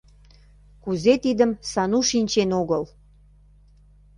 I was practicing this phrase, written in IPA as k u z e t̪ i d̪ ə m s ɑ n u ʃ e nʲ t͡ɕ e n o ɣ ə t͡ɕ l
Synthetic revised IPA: k u z e t̪ i d̪ ə m s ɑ n u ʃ i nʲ t͡ɕ e n o ɣ ə l